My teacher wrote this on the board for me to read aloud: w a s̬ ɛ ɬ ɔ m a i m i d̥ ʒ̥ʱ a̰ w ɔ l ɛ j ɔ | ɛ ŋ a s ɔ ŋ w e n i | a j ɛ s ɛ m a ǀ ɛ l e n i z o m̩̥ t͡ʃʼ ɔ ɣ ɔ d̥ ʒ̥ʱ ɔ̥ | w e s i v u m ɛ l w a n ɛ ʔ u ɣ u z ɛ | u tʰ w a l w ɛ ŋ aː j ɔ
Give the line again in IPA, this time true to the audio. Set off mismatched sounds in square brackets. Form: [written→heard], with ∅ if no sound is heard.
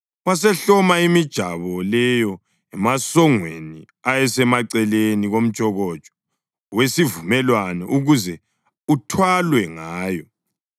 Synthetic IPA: w a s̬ ɛ ɬ ɔ m a i m i d̥ ʒ̥ʱ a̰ [w→β] ɔ l ɛ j ɔ | ɛ [ŋ→m] a s ɔ ŋ w e n i | a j ɛ s ɛ m a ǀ ɛ l e n i [z→ɣ] o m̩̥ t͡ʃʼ ɔ ɣ ɔ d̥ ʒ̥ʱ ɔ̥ | w e s i v u m ɛ l w a n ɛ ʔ u ɣ u z ɛ | u tʰ w a l w ɛ ŋ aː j ɔ